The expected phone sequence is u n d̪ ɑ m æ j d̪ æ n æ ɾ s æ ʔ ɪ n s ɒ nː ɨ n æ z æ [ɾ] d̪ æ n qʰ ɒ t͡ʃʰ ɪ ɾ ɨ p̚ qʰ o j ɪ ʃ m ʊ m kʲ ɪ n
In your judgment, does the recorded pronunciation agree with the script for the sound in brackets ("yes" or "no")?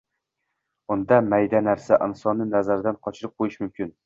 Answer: yes